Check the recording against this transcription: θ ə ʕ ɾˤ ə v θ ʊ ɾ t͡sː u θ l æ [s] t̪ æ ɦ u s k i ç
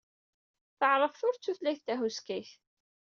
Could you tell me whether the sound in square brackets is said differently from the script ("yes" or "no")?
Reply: yes